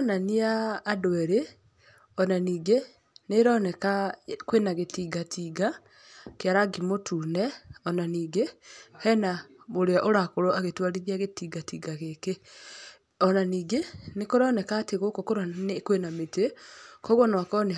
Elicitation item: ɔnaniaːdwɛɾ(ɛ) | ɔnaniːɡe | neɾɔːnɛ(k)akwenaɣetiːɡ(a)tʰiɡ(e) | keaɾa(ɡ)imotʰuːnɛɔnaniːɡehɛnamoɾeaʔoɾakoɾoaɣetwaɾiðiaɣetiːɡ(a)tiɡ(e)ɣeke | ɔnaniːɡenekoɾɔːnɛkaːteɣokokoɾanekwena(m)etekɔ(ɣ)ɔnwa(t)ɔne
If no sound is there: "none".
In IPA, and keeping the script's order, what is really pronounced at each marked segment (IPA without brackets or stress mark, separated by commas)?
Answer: e, k, a, a, ɡ, a, a, m, ɣ, k